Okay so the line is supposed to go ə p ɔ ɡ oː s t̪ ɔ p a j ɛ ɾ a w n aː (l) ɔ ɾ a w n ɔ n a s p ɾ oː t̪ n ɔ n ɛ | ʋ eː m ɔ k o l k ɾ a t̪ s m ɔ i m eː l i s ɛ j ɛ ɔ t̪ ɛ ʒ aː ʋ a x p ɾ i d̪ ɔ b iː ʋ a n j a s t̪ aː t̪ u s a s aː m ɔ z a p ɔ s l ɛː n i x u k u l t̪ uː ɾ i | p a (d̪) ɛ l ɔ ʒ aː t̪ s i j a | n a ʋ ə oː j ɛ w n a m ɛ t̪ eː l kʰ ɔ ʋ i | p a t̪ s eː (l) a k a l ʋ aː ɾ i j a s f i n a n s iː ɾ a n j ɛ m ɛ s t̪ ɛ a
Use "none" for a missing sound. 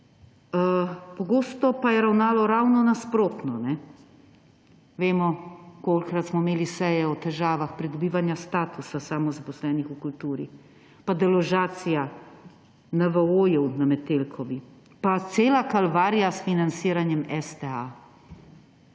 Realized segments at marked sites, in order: l, d̪, l

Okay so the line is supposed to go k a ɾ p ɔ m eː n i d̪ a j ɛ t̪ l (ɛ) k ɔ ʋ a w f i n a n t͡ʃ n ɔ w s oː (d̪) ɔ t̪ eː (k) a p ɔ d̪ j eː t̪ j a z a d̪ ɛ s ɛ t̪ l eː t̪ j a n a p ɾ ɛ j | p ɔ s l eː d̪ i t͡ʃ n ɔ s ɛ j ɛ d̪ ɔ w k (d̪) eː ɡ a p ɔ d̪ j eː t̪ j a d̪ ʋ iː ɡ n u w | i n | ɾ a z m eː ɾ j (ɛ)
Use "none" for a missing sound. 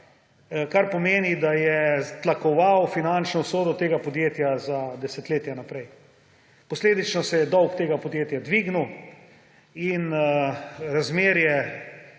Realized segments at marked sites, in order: a, d̪, ɡ, t̪, ɛ

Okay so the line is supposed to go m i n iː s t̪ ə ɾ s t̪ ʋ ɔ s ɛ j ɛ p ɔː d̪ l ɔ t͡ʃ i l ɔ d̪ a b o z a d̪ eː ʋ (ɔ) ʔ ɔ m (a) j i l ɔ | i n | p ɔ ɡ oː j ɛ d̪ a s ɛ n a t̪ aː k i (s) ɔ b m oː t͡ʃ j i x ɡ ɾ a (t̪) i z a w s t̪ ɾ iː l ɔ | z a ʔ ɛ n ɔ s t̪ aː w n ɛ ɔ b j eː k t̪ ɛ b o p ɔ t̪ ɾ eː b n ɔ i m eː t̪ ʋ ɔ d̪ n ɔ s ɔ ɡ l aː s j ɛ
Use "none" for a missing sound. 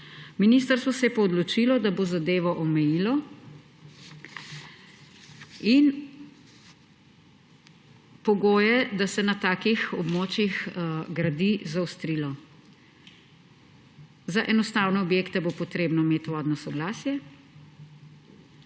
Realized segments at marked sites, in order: ɔ, ɛ, x, d̪

